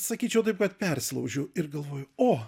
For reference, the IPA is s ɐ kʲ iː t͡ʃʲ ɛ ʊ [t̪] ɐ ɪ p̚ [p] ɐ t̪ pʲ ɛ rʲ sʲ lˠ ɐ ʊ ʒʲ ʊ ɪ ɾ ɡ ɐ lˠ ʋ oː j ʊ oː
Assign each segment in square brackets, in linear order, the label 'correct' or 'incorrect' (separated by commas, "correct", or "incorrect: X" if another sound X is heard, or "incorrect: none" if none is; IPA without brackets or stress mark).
correct, incorrect: k